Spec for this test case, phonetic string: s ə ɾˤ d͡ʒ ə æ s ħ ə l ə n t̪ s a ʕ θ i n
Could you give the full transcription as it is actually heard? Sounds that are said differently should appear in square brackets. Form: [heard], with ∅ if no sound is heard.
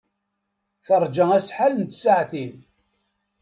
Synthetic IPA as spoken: [θ] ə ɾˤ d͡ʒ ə æ s ħ [a] l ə n t̪ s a ʕ θ i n